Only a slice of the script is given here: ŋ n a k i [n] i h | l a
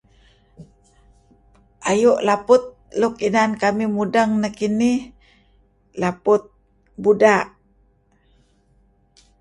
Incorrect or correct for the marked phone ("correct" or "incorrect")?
correct